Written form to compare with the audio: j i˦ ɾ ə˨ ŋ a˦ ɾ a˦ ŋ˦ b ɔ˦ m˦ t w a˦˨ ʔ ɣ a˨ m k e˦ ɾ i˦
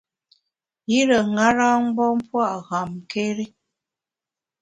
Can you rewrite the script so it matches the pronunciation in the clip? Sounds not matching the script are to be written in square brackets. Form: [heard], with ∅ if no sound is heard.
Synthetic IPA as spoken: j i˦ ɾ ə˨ ŋ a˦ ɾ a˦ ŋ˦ b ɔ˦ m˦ [p] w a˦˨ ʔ ɣ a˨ m k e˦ ɾ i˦